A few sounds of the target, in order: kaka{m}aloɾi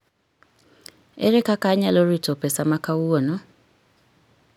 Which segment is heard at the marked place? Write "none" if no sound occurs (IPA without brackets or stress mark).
ɲ